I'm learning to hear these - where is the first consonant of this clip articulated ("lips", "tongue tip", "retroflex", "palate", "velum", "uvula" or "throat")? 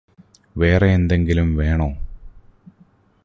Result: lips